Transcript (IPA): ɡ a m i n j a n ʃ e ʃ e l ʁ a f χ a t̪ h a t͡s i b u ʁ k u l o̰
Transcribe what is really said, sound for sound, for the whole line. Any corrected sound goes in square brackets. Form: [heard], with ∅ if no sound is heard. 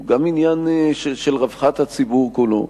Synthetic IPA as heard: ɡ a m i n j a n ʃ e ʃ e l ʁ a [v] χ a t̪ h a t͡s i b u ʁ k u l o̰